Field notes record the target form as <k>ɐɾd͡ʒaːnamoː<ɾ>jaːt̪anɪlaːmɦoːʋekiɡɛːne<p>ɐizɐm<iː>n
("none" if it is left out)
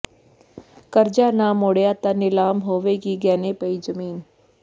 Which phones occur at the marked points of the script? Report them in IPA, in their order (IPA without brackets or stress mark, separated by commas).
k, ɽ, p, iː